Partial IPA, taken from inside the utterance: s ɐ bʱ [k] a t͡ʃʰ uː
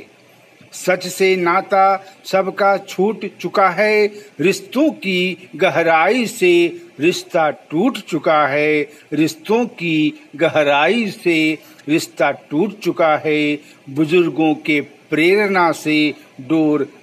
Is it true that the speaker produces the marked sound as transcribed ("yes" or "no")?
yes